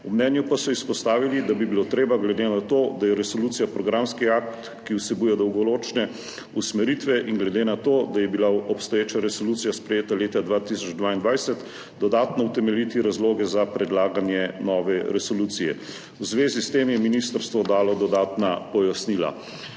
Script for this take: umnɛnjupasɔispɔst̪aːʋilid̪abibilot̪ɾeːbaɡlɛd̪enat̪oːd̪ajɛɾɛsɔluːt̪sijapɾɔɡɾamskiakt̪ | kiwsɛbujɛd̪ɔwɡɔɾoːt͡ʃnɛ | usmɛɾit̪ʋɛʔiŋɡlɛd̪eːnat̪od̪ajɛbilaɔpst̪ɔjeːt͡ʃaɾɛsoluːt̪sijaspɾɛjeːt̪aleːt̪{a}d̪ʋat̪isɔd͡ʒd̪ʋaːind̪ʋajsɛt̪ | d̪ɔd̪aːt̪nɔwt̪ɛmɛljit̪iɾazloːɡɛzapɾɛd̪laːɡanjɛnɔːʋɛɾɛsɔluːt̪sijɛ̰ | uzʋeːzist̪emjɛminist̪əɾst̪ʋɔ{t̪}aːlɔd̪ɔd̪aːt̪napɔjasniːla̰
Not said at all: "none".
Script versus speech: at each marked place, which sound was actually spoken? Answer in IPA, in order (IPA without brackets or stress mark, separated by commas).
a, d̪